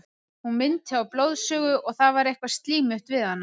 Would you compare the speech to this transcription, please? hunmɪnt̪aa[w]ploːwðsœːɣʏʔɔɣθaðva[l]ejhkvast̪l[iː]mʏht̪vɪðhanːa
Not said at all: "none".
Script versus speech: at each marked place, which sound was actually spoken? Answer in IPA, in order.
w, ɾ, iː

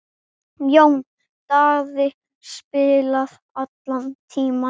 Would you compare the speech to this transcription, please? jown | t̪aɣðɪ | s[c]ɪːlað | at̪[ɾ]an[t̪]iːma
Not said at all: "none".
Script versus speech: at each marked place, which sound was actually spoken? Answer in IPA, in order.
p, l, t̪ʰ

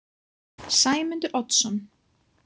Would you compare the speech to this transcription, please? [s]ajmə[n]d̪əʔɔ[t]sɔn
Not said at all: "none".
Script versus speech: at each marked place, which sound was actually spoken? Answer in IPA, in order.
s, n, t

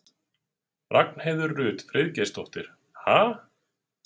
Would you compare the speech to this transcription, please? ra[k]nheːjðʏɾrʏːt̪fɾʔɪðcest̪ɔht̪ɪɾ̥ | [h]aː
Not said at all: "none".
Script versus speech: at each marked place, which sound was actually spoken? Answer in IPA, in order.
k, h

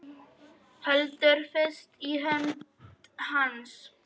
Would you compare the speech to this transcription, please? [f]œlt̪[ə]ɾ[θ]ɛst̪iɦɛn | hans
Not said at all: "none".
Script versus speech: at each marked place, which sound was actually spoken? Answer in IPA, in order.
h, ə, f

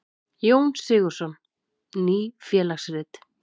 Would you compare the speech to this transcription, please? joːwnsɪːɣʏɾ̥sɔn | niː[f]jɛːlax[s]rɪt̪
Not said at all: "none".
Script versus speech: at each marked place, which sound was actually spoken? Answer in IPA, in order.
f, s

